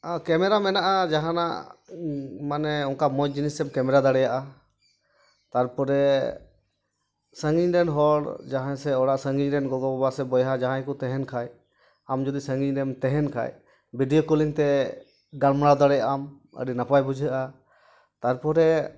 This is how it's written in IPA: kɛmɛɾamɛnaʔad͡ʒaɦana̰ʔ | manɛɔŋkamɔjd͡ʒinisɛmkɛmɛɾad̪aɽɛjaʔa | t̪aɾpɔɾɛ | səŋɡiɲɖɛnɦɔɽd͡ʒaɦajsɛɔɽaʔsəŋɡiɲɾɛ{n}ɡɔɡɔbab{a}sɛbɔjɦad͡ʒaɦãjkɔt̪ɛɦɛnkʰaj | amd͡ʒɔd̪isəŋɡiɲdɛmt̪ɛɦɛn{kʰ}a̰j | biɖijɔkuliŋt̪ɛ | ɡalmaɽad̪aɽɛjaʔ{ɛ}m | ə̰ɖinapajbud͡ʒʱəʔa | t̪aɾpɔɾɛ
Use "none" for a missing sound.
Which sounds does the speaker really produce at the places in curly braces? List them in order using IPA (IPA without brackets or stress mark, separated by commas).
n, a, kʰ, a